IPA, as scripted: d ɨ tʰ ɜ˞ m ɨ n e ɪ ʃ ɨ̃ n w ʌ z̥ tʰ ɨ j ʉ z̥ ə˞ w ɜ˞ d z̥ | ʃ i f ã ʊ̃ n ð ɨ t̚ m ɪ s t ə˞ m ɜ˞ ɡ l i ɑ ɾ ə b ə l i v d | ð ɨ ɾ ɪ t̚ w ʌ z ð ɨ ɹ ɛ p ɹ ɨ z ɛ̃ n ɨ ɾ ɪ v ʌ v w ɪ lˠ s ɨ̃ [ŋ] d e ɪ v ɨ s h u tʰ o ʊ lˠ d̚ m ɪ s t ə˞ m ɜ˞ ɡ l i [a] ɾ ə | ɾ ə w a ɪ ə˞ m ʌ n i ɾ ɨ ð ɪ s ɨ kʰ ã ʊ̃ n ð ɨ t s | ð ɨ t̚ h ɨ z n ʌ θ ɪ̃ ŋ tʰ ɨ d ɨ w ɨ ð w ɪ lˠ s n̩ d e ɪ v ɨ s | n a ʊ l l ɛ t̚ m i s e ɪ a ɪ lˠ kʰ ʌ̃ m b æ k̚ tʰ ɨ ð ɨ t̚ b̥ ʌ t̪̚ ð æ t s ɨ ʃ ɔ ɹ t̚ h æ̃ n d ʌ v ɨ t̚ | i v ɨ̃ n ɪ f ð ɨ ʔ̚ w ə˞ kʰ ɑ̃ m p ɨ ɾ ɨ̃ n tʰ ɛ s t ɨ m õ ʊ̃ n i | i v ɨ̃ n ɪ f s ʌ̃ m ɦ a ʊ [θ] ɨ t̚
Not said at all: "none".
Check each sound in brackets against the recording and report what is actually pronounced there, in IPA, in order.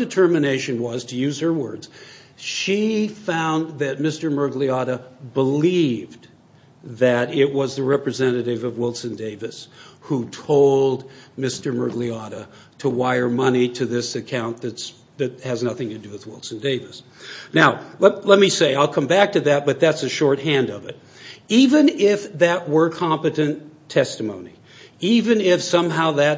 n, ɑ, ð

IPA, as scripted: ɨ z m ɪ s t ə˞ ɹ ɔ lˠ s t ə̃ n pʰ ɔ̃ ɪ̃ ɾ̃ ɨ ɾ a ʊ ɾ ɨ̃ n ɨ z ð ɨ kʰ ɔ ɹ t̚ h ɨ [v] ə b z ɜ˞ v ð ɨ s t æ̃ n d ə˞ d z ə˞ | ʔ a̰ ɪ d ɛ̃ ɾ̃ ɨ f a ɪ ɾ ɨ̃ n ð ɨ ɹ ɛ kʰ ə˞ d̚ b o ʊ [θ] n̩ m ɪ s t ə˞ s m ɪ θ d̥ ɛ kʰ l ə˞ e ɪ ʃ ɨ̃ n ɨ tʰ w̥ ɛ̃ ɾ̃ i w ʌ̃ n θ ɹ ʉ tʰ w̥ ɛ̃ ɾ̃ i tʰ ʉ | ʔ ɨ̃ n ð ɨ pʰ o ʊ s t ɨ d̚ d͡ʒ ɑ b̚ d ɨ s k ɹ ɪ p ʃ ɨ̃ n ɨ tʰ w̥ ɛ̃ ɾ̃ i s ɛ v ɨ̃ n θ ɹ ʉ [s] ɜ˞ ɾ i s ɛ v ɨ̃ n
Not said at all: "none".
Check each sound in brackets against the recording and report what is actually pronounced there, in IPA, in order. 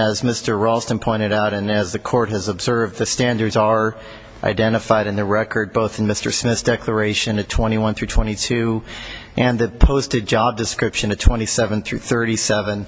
z, θ, θ

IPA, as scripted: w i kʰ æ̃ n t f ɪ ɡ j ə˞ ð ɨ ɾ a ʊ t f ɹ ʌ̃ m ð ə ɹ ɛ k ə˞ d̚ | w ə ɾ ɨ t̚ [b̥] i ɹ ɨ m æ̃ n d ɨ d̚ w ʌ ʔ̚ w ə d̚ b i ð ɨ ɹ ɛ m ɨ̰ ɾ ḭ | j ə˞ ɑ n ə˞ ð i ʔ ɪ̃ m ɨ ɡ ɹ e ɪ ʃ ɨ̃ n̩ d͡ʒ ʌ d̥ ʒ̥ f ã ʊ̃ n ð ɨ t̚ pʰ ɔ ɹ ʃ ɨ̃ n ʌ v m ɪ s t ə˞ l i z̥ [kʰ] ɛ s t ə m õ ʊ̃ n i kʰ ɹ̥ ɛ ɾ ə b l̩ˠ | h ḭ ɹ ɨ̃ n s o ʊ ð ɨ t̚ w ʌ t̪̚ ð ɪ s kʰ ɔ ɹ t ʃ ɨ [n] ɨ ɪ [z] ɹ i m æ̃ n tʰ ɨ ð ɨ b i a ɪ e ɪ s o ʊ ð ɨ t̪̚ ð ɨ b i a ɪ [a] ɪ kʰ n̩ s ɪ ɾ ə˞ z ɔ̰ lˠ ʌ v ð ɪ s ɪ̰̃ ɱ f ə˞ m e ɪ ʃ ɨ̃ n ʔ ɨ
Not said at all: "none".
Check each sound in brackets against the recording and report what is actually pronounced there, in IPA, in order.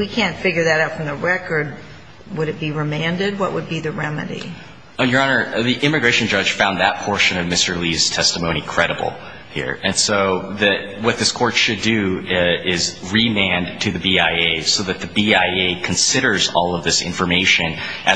b̥, tʰ, d, z, e

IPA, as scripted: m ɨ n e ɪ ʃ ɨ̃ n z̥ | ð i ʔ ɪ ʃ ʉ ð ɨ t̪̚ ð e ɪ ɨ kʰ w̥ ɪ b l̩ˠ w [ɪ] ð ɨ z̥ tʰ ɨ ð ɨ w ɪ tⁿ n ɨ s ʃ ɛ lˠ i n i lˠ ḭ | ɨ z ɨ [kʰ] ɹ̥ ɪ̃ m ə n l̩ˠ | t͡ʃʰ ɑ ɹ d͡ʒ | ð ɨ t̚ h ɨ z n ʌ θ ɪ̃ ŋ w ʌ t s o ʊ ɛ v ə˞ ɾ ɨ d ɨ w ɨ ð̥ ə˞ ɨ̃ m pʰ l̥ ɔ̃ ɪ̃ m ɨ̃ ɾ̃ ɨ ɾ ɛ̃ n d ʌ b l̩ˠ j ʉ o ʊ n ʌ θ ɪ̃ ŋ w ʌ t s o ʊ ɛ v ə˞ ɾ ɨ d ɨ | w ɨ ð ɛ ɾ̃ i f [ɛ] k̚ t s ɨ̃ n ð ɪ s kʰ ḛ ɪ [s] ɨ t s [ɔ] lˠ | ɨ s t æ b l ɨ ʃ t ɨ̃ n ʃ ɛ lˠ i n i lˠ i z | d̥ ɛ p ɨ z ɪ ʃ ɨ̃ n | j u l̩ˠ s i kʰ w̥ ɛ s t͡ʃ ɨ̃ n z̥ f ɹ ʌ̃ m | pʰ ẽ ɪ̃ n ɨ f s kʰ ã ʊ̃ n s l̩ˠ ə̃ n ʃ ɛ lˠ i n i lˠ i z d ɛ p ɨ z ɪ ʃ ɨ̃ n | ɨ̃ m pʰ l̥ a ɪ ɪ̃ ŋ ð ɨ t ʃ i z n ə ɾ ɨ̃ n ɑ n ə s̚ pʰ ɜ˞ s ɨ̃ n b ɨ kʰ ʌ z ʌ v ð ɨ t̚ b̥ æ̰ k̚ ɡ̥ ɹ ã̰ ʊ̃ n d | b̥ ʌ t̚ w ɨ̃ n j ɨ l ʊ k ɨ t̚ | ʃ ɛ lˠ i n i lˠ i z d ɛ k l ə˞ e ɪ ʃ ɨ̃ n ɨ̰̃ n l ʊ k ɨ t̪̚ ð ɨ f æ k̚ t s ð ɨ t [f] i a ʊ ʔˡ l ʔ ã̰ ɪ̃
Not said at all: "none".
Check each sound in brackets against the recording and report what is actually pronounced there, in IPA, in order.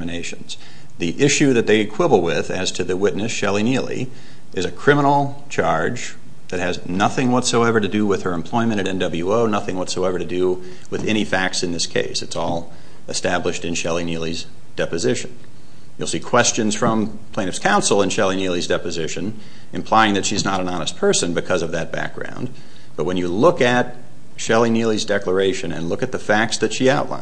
ɪ, kʰ, æ, s, ɔ, ʃ

